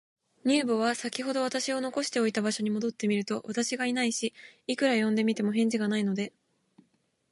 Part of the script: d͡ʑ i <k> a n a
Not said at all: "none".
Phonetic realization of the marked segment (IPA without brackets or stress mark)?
ɡ